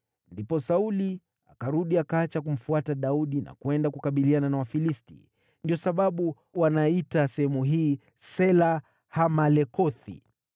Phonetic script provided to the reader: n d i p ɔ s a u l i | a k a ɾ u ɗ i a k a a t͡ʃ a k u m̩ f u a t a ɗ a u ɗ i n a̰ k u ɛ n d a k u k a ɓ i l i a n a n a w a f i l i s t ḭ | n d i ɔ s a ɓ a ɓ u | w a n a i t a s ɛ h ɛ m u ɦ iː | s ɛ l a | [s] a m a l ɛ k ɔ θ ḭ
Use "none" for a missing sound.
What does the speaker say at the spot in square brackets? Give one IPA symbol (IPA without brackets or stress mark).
h